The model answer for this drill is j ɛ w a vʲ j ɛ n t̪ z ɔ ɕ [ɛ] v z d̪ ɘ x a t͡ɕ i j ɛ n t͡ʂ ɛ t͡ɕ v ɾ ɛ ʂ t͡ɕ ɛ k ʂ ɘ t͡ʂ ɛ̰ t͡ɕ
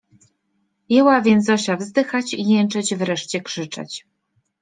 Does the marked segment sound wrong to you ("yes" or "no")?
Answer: yes